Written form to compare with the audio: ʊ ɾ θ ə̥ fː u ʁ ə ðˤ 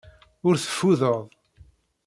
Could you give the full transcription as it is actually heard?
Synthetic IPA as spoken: ʊ ɾ θ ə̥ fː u ð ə ðˤ